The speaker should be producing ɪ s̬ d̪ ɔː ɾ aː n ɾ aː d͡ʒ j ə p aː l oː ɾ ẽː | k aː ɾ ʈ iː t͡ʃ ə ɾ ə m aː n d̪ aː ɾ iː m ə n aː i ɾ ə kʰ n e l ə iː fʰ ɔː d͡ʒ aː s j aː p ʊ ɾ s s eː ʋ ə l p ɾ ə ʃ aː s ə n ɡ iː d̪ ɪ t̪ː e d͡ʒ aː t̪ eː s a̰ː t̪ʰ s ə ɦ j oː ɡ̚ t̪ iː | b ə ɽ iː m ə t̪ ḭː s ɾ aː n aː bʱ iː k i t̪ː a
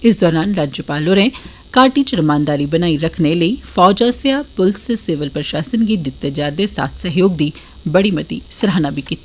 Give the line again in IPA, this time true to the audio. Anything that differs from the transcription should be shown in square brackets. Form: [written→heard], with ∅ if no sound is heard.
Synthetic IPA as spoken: ɪ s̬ d̪ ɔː ɾ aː n ɾ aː d͡ʒ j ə p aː l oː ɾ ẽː | k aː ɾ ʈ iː t͡ʃ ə ɾ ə m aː n d̪ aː ɾ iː [m→b] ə n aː i ɾ ə kʰ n e l ə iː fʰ ɔː d͡ʒ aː s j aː p ʊ [ɾ→l] s s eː ʋ ə l p ɾ ə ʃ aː s ə n ɡ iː d̪ ɪ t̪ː e d͡ʒ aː [t̪→d̪] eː s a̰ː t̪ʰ s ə ɦ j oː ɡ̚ [t̪→d̪] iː | b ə ɽ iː m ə t̪ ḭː s ɾ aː n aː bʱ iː k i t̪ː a